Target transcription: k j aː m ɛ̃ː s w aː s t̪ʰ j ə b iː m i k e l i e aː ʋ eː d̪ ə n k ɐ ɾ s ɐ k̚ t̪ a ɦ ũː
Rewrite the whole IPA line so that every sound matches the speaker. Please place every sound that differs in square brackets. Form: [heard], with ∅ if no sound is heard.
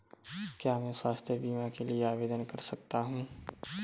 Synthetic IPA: k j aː m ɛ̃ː s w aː s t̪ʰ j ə b iː m [a] k e l i e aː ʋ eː d̪ ə n k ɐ ɾ s ɐ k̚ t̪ a ɦ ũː